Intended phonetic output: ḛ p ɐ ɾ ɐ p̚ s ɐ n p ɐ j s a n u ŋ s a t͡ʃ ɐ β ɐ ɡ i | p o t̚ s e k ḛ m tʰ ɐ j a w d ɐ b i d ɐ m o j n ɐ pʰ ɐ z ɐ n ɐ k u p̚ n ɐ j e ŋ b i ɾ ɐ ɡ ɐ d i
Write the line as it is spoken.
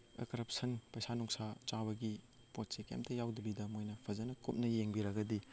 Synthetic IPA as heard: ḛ k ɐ ɾ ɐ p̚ s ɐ n p ɐ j s a n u ŋ s a t͡ʃ a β ɐ ɡ i | p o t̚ s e k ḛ m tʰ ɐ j a w d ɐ b i d ɐ m o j n ɐ pʰ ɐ z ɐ n ɐ k u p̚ n ɐ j e ŋ b i ɾ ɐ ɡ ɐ d i

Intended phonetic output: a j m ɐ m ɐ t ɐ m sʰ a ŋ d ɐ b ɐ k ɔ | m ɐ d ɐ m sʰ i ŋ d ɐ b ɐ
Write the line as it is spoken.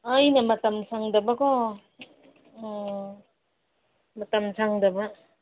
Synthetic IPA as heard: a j n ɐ m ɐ t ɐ m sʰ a ŋ d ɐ b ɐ k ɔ | m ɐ t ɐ m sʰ a ŋ d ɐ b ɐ

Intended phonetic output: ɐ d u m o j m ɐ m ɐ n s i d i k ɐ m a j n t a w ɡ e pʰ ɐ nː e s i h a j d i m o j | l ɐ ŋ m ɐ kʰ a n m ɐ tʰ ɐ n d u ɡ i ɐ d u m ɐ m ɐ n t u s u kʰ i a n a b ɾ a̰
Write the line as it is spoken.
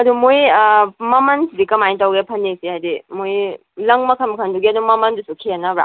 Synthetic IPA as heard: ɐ d u m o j m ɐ m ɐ n s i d i k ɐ m a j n t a w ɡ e pʰ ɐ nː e s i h a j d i m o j | l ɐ ŋ m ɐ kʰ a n m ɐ kʰ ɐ n d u ɡ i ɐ d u m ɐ m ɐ n d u s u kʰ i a n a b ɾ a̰

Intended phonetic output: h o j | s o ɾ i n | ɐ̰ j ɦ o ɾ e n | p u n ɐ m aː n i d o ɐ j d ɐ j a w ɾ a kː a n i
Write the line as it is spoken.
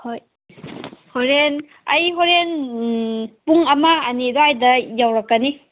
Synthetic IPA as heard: h o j | h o ɾ e n | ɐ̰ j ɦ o ɾ e n | p u ŋ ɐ m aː n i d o a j d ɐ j a w ɾ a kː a n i

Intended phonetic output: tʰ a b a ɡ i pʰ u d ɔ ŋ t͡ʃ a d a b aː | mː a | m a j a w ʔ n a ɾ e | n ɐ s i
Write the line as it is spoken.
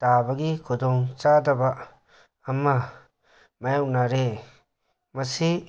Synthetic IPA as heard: t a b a ɡ i kʰ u d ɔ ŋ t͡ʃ a d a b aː | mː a | m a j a w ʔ n a ɾ e | m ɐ s i

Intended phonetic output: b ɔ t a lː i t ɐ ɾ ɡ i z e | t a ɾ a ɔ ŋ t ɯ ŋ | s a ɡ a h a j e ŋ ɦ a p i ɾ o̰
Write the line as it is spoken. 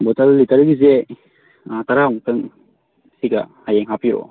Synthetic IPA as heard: b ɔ t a lː i t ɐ ɾ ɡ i z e | t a ɾ a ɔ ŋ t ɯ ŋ | s i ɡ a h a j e ŋ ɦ a p i ɾ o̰

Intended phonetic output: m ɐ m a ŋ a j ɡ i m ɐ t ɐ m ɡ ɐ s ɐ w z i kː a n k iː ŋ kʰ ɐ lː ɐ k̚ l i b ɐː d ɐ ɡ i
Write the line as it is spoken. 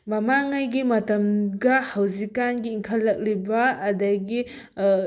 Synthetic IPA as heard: m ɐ m a ŋ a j ɡ i m ɐ t ɐ m ɡ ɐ h ɐ w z i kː a n ɡ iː ŋ kʰ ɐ lː ɐ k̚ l i b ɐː d ɐ ɡ i

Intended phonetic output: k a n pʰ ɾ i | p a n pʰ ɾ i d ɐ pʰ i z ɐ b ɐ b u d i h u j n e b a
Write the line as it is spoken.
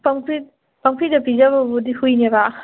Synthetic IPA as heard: p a ŋ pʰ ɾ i | p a ŋ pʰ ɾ i d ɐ p i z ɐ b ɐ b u d i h u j n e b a

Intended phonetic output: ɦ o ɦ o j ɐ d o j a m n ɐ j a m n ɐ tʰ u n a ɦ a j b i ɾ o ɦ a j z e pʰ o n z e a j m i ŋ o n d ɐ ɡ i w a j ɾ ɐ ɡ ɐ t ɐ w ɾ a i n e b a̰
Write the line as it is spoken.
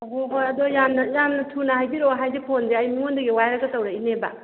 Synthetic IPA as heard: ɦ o ɦ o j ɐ d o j a m n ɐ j a m n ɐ tʰ u n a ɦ a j b i ɾ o ɦ a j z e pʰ o n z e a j m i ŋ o n d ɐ ɡ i w a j ɾ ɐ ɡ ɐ t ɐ w ɾ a i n e b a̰

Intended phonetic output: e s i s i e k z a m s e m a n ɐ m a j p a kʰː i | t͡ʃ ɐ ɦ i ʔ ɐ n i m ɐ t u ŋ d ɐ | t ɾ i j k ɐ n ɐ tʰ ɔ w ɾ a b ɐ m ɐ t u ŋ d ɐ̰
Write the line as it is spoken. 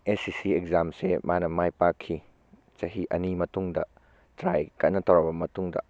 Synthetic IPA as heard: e s i s i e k z a m s e m a n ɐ m a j p a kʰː i | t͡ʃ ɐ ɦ i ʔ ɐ n i m ɐ t u ŋ d ɐ | t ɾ a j k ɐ n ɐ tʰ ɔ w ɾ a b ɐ m ɐ t u ŋ d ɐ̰

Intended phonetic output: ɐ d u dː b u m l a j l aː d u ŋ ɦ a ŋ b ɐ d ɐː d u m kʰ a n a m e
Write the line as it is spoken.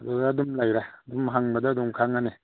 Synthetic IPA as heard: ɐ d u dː d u m l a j ɾ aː d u m ɦ a ŋ b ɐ d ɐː d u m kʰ a ŋ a n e

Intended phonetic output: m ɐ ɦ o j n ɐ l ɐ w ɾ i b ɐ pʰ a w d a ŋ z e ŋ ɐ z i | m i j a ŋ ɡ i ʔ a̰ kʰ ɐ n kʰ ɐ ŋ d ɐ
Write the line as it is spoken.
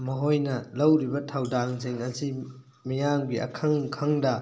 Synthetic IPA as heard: m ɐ ɦ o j n ɐ l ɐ w ɾ i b ɐ tʰ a w d a ŋ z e ŋ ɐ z i | m i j a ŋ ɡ i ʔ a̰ kʰ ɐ ŋ kʰ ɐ ŋ d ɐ

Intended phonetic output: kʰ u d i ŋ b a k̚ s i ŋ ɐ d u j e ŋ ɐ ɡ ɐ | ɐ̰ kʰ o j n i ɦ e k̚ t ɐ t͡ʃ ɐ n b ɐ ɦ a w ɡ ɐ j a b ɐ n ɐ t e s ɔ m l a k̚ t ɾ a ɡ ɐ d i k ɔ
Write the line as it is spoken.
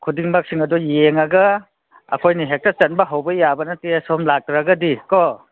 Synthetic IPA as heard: kʰ u d i ŋ b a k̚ s i ŋ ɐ d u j e ŋ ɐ ɡ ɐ | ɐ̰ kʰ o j n i ɦ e k̚ t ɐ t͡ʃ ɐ n b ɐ ɦ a w b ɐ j a b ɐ n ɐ t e s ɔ m l a k̚ t ɾ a ɡ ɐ d i k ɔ

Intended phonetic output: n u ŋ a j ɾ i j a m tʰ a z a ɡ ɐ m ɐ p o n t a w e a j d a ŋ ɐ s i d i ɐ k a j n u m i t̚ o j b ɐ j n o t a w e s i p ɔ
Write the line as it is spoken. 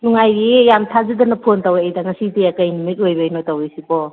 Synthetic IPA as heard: n u ŋ a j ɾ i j a m tʰ a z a d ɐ n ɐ pʰ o n t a w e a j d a ŋ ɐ s i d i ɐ k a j n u m i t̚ o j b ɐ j n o t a w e s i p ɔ

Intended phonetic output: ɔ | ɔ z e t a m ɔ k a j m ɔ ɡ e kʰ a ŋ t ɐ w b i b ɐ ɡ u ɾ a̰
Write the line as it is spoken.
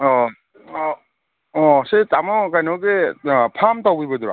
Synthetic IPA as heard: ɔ | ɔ s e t a m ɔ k a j n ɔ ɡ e pʰ a m t a w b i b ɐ d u ɾ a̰

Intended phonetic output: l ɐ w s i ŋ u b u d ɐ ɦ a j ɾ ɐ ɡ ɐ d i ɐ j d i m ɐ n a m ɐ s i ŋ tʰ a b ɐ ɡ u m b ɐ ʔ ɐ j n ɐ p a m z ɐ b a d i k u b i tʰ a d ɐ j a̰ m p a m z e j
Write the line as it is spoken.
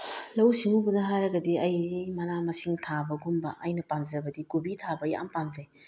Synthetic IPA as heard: l ɐ w s i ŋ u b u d ɐ ɦ a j ɾ ɐ ɡ ɐ d i ɐ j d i m ɐ n a m ɐ s i ŋ tʰ a b ɐ ɡ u m b ɐ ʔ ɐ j n ɐ p a m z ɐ b ɐ d i k u b i tʰ a b ɐ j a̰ m p a m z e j

